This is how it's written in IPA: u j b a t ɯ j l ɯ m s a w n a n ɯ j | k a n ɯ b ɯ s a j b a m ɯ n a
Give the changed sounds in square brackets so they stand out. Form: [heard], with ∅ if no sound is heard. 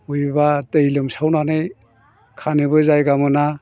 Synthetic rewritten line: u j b a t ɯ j l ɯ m s a w n a n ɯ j | [kʰ] a n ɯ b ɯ [z] a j [ɡ] a m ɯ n a

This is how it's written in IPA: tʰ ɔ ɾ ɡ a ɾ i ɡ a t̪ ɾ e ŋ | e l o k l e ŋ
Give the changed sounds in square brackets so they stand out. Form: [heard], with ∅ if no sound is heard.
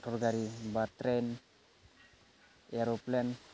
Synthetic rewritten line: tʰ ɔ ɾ ɡ a ɾ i [b] a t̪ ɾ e [n] | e [ɾ] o [p] l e [n]

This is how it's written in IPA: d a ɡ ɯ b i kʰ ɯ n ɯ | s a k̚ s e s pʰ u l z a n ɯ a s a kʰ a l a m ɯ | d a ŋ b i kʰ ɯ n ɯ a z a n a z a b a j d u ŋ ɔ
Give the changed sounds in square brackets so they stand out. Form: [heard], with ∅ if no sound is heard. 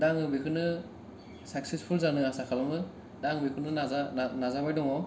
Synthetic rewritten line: d a [ŋ] ɯ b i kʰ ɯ n ɯ | s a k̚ s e s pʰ u l z a n ɯ a s a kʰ a l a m ɯ | d a ŋ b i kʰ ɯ n ɯ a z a n a z a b a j d [ɔ] ŋ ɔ

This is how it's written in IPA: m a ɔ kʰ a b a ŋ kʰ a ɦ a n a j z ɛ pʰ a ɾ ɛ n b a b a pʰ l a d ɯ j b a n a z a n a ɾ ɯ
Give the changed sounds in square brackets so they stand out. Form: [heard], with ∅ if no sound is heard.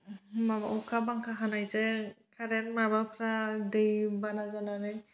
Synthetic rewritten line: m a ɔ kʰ a b a ŋ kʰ a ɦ a n a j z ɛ [kʰ] a ɾ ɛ n [m] a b a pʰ [ɾ] a d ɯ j b a n a z a n a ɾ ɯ

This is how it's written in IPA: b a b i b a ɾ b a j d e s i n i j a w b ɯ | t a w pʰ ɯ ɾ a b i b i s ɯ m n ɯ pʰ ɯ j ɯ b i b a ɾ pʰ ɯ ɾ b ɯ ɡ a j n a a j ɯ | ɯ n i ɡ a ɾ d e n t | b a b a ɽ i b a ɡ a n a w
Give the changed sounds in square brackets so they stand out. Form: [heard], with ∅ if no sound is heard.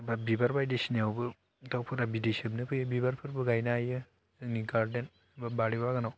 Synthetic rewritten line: b a b i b a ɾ b a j d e s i n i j a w b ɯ | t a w pʰ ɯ ɾ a b i [d] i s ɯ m n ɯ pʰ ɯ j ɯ b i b a ɾ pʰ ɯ ɾ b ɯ ɡ a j n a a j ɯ | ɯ n i ɡ a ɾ d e n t | b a b a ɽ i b a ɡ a n a w

